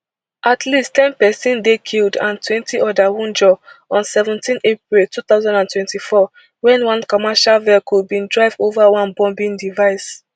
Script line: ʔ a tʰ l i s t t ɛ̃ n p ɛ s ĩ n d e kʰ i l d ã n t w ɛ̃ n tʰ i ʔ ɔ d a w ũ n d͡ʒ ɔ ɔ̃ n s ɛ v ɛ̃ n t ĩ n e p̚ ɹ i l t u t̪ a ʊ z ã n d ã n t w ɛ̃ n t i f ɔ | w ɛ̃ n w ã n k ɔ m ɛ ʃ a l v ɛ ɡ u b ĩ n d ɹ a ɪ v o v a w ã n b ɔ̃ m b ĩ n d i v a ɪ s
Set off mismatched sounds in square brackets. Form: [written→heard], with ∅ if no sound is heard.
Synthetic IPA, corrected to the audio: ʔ a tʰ l i s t t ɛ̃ n p ɛ s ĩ n d e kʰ i l d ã n t w ɛ̃ n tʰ i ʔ ɔ d a w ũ n d͡ʒ ɔ ɔ̃ n s ɛ v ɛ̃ n t ĩ n e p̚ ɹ i l t u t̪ a ʊ z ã n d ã n t w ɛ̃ n t i f ɔ | w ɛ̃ n w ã n k ɔ m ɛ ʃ a l v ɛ [ɡ→k] u b ĩ n d ɹ a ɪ v o v a w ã n b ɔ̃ m b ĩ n d i v a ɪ s